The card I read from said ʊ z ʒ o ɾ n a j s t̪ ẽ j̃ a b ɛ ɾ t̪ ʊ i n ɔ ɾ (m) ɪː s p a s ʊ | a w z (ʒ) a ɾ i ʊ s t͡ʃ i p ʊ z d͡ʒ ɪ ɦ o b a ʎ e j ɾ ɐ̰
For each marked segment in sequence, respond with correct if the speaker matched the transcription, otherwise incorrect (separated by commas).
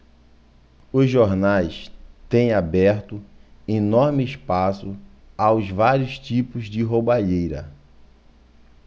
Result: correct, incorrect